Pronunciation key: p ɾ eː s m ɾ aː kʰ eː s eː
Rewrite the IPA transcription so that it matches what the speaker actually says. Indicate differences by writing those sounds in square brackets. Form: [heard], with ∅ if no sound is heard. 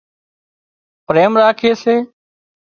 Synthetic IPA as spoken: p ɾ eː [∅] m ɾ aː kʰ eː s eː